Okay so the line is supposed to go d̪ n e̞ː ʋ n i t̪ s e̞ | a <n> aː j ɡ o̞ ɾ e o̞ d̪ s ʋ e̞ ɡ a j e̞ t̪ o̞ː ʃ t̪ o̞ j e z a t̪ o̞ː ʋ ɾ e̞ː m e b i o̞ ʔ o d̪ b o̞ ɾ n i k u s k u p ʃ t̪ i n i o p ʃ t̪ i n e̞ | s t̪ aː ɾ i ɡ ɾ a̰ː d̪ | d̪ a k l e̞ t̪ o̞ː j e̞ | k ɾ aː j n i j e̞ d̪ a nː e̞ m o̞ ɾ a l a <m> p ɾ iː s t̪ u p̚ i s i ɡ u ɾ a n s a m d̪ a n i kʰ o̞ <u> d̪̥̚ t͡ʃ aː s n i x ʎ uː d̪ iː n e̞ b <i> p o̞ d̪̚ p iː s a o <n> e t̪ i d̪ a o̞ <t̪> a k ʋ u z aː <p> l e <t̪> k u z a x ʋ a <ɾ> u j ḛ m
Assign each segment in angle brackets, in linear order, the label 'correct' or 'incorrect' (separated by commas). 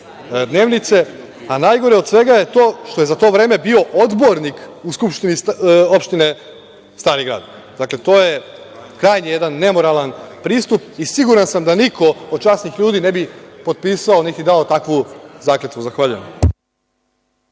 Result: correct, incorrect, incorrect, correct, correct, correct, incorrect, correct, incorrect